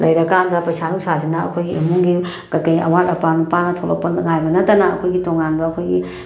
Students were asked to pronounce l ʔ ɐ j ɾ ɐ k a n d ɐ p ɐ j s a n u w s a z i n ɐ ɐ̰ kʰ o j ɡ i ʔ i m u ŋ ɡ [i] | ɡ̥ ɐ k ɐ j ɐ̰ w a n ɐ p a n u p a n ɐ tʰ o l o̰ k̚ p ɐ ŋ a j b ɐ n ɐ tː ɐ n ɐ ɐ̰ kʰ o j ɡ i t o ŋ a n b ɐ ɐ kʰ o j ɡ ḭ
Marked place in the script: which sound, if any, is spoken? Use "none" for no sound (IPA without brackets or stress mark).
i